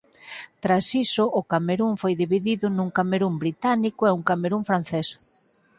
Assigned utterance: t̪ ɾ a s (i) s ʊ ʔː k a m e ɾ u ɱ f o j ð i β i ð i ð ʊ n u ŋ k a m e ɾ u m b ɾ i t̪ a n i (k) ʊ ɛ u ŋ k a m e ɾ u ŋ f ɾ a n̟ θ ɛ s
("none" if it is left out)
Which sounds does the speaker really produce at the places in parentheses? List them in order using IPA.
i, k

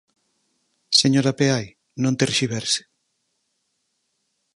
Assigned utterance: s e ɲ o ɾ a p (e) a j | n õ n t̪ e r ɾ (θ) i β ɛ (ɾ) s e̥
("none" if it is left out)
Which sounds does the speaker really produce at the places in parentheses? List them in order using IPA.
e, ʃ, ɾ

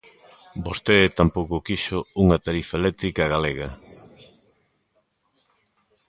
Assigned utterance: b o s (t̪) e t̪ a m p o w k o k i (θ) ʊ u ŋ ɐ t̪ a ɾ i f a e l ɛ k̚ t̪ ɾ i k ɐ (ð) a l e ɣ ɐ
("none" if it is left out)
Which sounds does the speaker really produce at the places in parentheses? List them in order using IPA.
t̪, ʃ, ɣ

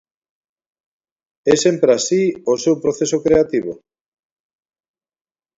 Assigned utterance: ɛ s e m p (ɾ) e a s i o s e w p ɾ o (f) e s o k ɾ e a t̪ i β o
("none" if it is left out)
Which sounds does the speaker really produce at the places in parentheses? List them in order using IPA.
ɾ, θ

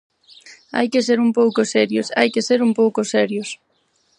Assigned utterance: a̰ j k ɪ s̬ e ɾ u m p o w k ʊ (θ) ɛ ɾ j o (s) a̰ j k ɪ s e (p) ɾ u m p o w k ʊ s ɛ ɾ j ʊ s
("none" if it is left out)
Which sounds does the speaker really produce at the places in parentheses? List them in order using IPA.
s, s, none

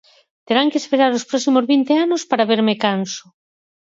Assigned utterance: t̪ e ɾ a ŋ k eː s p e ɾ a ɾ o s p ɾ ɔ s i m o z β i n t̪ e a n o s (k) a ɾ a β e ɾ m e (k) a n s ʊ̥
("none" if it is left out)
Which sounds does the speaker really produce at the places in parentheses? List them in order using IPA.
p, k

